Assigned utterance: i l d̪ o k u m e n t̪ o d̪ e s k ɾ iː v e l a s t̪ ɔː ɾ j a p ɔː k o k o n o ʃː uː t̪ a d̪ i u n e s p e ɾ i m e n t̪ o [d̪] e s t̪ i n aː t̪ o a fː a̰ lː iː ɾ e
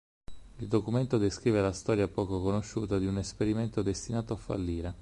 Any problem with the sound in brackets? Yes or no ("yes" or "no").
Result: no